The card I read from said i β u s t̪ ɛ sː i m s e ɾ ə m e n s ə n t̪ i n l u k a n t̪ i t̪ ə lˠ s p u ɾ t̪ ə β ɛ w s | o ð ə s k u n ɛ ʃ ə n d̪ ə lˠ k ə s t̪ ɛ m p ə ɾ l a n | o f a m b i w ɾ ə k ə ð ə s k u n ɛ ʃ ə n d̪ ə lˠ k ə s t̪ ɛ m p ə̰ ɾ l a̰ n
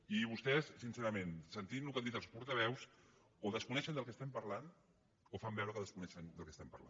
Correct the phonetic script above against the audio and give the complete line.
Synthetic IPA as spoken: i β u s t̪ ɛ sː i n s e ɾ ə m e n s ə n t̪ i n l u k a n d̪ i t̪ ə lˠ s p u ɾ t̪ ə β ɛ w s | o ð ə s k u n ɛ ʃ ə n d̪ ə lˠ k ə s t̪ ɛ m p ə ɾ l a n | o f a m b ɛ w ɾ ə k ə ð ə s k u n ɛ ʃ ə n d̪ ə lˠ k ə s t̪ ɛ m p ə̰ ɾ l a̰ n